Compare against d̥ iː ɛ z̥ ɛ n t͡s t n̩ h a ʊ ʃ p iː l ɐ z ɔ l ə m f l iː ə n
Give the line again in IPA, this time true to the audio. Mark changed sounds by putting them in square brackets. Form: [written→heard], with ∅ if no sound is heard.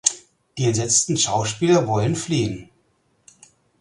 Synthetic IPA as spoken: d̥ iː ɛ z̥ ɛ [n→∅] t͡s t n̩ [h→ʃ] a ʊ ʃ p iː l ɐ [z→v] ɔ l ə [m→n] f l iː ə n